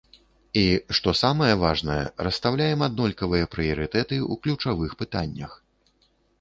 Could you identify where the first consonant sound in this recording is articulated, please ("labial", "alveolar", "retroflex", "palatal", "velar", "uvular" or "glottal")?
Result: retroflex